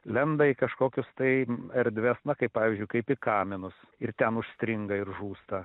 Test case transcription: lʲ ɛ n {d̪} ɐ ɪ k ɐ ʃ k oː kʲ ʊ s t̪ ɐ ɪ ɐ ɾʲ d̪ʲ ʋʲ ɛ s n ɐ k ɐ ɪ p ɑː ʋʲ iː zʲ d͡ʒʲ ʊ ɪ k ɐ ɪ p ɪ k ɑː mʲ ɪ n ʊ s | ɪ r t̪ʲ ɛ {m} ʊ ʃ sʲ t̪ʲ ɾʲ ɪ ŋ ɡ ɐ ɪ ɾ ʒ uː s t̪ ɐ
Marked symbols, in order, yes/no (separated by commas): yes, no